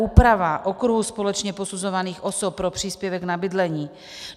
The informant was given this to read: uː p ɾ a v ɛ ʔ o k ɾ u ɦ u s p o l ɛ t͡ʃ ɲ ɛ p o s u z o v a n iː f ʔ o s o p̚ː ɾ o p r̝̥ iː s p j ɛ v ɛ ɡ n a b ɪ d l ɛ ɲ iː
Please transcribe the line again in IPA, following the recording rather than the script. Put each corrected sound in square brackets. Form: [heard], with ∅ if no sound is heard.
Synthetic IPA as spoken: uː p ɾ a v [a] ʔ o k ɾ u ɦ u s p o l ɛ t͡ʃ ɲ ɛ p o s u z o v a n iː [x] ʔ o s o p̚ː ɾ o p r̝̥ iː s p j ɛ v ɛ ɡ n a b ɪ d l ɛ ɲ iː